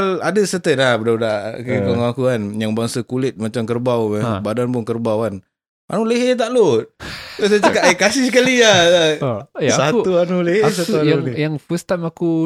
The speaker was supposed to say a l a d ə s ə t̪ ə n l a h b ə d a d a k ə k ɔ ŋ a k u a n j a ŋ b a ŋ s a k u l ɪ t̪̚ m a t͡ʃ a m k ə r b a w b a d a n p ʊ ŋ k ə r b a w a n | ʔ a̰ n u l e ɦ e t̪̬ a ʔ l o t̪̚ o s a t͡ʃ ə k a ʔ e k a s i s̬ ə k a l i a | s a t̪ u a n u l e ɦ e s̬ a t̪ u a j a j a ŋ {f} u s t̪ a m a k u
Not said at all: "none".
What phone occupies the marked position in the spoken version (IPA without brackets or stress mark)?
f